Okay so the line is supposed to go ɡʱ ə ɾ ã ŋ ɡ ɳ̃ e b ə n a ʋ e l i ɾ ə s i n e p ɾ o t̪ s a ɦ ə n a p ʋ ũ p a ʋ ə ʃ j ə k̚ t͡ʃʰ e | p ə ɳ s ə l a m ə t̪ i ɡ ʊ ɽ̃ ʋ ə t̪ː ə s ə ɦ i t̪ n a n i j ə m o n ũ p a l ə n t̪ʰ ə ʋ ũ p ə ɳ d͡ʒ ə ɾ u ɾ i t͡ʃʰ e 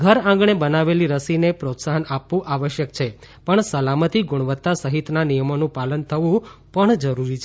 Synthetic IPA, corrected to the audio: ɡʱ ə ɾ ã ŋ ɡ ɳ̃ e b ə n a ʋ e l i ɾ ə s i n e p ɾ o t̪ s a ɦ ə n a p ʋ ũ ʔ a ʋ ə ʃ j ə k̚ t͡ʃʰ e | p ə ɳ s ə l a m ə t̪ i ɡ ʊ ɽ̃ ʋ ə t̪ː a s ə ɦ i t̪ n a n i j ə m o n ũ p a l ə n t̪ʰ ə ʋ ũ p ə ɳ d͡ʒ ə ɾ u ɾ i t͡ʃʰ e